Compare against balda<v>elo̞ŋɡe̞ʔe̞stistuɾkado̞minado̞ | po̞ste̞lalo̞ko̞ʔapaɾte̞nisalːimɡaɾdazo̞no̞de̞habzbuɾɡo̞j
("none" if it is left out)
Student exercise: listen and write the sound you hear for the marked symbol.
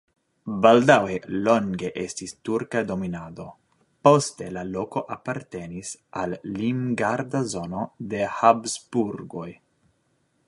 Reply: w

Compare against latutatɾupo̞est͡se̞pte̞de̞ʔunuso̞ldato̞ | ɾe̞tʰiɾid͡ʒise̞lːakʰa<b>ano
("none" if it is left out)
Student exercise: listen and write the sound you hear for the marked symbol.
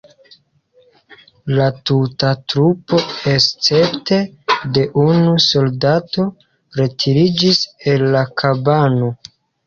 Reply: b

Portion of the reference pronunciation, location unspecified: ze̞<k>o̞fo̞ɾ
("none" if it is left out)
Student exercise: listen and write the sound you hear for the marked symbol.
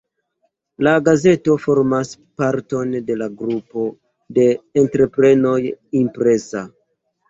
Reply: t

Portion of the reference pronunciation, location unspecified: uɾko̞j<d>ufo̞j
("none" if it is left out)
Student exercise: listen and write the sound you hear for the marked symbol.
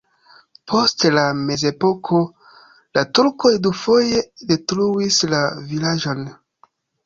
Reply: d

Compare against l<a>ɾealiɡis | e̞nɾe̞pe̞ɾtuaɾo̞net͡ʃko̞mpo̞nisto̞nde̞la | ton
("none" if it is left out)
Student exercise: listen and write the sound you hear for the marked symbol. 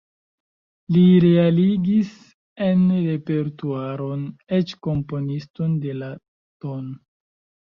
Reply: i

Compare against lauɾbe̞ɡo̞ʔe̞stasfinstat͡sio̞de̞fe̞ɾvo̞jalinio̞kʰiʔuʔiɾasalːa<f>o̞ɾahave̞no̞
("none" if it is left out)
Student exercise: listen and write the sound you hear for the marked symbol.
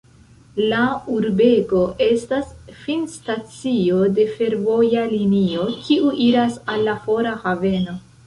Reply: f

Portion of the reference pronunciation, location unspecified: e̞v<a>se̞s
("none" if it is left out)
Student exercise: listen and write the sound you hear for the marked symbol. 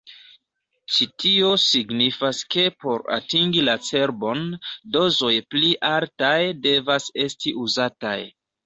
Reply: a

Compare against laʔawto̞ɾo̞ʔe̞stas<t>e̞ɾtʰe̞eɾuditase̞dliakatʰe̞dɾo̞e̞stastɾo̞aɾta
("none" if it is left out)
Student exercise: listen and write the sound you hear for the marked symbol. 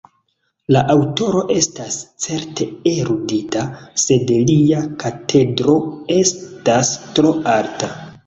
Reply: t͡s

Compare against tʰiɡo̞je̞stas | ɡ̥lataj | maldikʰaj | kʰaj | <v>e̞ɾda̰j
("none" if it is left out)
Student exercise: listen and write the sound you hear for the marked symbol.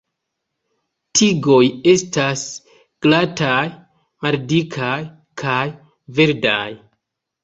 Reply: v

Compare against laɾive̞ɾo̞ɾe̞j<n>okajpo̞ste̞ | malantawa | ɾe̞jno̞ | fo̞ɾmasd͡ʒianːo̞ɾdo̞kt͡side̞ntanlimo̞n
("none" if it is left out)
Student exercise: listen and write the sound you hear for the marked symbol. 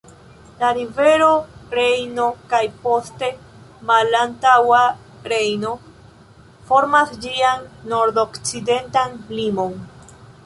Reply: n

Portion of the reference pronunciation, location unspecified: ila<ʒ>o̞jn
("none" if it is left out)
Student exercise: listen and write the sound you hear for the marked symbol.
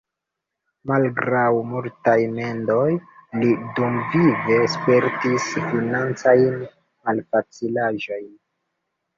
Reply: ʒ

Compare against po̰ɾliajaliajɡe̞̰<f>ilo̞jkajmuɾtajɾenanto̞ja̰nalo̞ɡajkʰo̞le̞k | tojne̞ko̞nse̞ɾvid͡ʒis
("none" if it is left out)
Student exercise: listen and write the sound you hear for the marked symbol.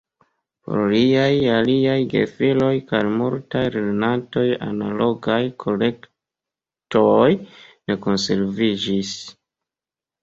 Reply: f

